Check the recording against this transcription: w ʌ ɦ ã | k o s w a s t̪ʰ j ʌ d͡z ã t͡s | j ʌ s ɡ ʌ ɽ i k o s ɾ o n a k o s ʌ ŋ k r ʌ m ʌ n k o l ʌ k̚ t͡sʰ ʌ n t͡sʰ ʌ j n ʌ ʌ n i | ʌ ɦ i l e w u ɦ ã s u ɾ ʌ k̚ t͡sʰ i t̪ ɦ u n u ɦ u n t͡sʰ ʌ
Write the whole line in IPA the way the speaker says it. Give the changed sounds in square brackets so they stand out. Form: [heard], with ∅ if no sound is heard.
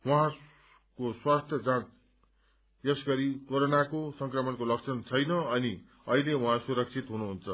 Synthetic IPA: w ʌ ɦ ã | k o s w a s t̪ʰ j ʌ d͡z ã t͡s | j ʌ s ɡ ʌ [ɾ] i k o [∅] ɾ o n a k o s ʌ ŋ k r ʌ m ʌ n k o l ʌ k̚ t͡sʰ ʌ n t͡sʰ ʌ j n ʌ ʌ n i | ʌ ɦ i l e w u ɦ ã s u ɾ ʌ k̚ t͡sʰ i t̪ ɦ u n u ɦ u n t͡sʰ ʌ